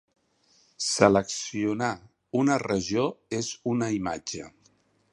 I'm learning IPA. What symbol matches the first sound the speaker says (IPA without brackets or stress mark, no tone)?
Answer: s